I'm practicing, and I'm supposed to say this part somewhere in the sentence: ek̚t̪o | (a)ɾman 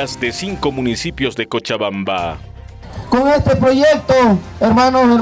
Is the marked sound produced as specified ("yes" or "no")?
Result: no